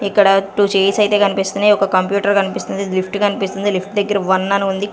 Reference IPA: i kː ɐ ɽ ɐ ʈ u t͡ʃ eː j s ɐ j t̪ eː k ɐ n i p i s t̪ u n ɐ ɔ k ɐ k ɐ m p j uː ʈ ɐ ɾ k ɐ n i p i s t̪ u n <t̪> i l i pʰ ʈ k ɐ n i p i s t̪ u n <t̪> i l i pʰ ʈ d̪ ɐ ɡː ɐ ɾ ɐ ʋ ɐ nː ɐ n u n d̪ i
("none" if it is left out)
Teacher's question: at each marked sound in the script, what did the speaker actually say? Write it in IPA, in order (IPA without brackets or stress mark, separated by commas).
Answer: d̪, d̪